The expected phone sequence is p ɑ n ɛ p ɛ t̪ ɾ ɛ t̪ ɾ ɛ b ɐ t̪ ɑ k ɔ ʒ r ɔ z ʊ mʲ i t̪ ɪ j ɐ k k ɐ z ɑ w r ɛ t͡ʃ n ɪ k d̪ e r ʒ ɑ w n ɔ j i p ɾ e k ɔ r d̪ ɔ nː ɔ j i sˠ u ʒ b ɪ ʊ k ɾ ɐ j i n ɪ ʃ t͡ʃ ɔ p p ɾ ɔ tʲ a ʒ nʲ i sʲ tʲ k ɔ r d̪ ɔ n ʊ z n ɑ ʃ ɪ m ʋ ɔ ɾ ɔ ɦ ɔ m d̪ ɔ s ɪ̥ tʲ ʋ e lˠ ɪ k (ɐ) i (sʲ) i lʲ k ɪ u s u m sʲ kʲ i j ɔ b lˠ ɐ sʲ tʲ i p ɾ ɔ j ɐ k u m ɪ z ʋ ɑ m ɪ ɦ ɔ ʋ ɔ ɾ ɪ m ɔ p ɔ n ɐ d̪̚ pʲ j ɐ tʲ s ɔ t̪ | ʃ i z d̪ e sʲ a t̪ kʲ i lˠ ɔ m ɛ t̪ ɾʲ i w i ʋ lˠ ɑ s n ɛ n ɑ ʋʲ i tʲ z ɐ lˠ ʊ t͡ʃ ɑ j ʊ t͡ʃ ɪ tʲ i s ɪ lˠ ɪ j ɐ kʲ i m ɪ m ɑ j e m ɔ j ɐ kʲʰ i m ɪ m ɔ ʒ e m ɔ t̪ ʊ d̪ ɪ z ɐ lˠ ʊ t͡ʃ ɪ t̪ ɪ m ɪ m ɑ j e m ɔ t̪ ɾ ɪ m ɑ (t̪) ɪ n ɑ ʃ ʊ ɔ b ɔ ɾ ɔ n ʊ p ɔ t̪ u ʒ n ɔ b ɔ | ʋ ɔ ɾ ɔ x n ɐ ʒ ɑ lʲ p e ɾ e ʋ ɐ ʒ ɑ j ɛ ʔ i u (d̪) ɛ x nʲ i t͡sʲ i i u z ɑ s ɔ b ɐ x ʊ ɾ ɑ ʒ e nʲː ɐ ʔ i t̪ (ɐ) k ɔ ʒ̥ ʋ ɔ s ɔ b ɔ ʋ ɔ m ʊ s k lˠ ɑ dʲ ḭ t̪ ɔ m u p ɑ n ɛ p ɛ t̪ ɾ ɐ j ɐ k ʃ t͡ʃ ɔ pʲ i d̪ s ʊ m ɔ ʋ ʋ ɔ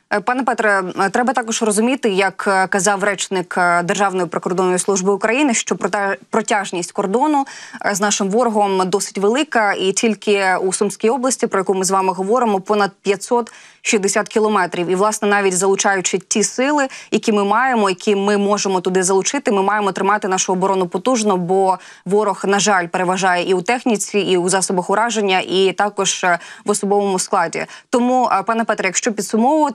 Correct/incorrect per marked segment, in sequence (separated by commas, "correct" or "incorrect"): correct, incorrect, correct, incorrect, incorrect